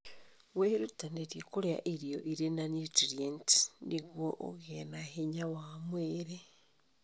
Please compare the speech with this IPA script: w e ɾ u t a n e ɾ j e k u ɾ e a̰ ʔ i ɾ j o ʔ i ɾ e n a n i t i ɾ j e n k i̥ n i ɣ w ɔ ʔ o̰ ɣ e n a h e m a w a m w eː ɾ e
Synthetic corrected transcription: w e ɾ u t a n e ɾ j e k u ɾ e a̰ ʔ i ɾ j o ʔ i ɾ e n a n i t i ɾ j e n t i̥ n i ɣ w o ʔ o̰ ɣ e n a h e ɲ a w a m w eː ɾ e